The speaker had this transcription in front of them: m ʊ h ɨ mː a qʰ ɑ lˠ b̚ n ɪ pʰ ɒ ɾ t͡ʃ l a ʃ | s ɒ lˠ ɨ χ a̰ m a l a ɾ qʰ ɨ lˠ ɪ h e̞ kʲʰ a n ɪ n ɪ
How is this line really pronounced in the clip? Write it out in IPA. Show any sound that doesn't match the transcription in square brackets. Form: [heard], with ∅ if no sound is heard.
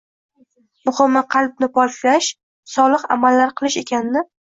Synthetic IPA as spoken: m ʊ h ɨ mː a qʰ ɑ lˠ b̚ n ɪ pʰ ɒ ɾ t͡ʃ l a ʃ | s ɒ lˠ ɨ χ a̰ m a [lː] a ɾ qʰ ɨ lˠ ɪ [ʃ] e̞ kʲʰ a n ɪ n ɪ